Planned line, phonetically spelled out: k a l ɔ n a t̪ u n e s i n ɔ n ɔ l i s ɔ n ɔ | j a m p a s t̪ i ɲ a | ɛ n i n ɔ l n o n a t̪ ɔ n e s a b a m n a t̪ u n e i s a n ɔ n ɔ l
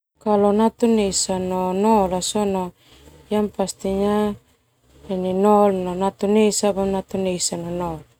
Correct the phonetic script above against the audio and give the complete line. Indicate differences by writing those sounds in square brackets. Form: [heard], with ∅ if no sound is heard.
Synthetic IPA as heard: k a l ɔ n a t̪ u n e s [a] n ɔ n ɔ l [a] s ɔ n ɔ | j a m p a s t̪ i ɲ a | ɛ n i n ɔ l n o n a t̪ [u] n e s a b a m n a t̪ u n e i s a n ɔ n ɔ l